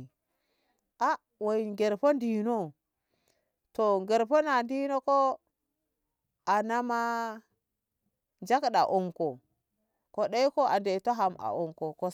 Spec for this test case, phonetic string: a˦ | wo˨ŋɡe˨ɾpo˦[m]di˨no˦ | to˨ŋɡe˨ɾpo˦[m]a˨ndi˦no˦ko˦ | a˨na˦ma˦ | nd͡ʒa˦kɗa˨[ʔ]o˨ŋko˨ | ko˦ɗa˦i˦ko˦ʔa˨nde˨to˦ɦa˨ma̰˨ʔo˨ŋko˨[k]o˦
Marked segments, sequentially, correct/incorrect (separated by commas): incorrect, incorrect, correct, correct